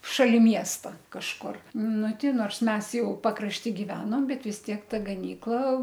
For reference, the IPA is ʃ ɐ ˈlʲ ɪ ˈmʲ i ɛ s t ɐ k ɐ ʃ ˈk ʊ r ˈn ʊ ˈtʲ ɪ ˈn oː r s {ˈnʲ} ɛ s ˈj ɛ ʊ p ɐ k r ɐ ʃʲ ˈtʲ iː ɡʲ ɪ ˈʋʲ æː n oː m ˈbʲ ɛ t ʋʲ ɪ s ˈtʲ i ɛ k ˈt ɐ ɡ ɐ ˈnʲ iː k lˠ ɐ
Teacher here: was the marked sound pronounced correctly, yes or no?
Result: no